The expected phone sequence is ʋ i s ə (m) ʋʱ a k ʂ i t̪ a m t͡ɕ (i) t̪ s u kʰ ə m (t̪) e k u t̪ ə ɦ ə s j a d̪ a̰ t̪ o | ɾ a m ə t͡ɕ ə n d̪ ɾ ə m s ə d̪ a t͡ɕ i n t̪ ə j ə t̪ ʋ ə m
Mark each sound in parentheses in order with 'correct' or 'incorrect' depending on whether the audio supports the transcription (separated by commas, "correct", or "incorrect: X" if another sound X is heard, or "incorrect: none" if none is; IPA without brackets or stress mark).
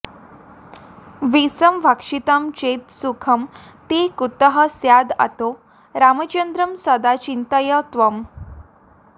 correct, incorrect: e, correct